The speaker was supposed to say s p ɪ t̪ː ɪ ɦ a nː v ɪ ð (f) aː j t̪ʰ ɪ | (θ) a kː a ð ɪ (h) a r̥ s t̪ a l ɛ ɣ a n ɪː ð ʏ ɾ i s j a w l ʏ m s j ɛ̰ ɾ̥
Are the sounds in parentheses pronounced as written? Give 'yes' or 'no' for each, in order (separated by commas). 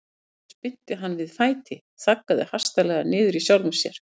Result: yes, yes, yes